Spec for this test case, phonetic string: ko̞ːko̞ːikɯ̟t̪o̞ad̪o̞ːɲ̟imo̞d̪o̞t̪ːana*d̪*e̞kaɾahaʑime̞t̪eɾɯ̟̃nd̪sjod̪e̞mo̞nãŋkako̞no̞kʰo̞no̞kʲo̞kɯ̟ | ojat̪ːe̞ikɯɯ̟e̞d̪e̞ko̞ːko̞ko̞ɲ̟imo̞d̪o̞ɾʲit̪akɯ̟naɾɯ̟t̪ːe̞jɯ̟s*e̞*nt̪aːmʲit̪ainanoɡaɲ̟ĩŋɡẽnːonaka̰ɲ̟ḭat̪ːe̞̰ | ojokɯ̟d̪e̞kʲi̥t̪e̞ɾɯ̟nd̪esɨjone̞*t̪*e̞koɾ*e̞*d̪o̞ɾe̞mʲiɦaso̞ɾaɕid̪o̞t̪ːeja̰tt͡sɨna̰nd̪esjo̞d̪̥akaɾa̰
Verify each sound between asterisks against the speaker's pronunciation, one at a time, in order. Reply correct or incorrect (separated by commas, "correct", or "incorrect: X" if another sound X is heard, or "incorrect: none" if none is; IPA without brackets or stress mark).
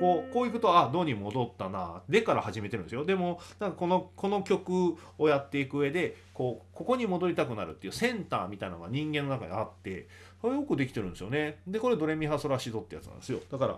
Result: correct, incorrect: ẽ̞, incorrect: d̪, correct